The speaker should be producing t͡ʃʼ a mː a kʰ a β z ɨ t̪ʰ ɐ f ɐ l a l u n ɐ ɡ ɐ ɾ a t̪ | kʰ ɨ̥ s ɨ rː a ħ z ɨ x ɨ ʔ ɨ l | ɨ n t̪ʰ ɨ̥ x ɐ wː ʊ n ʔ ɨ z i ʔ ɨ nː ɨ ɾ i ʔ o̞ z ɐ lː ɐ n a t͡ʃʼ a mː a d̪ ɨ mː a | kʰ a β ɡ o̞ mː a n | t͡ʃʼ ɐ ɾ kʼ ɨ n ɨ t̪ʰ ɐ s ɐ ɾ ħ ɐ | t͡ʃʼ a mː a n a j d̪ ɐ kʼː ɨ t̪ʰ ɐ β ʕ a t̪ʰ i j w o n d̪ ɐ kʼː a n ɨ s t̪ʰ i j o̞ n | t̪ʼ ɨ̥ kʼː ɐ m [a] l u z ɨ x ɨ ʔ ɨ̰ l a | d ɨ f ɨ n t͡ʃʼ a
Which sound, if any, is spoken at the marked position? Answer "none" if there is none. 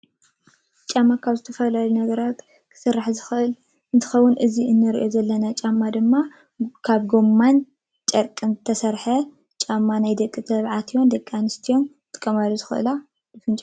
a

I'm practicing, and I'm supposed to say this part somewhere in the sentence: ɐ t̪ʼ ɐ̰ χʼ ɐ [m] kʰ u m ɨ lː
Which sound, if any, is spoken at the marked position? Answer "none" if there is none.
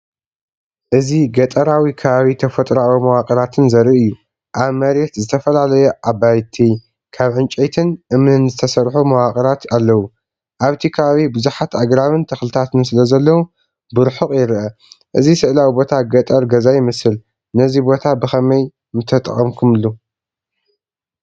m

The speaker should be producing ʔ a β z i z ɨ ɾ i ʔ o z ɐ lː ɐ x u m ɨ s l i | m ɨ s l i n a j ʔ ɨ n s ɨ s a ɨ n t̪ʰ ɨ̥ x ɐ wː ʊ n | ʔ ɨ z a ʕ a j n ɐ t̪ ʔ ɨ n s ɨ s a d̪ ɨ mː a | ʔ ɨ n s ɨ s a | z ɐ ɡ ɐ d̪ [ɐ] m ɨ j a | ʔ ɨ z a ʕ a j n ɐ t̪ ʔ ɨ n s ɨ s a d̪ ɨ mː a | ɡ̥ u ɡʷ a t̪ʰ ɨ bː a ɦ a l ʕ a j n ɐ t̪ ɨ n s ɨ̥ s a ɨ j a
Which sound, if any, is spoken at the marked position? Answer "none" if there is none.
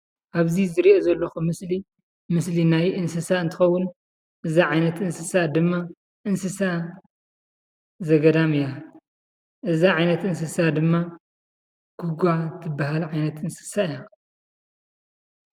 a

